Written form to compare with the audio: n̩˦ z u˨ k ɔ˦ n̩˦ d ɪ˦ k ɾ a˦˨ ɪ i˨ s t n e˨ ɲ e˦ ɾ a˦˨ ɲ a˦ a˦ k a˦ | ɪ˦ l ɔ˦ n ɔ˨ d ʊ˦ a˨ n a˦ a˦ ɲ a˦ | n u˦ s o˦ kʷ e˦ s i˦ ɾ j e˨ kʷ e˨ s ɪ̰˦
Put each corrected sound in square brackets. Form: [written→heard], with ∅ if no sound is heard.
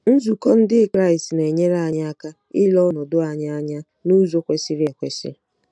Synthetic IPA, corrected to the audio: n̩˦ z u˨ k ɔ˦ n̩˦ d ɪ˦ k ɾ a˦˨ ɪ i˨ s t n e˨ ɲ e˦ ɾ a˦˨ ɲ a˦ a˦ k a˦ | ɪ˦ l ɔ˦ n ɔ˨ d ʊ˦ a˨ [n→ɲ] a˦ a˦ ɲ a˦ | n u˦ [s→z] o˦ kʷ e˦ s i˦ ɾ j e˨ kʷ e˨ s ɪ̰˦